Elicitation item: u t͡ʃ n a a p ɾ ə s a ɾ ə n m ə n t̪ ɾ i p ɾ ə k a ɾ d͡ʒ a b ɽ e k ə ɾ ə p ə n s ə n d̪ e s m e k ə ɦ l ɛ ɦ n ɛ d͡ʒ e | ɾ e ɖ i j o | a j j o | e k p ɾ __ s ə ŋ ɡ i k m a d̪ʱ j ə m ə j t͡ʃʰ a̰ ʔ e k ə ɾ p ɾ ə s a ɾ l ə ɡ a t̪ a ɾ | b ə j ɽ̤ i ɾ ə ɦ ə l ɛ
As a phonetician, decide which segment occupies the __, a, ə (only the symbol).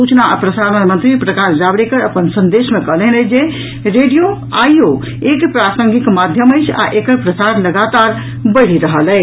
a